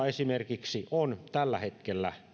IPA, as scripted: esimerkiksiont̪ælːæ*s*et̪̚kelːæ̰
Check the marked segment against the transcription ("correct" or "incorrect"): incorrect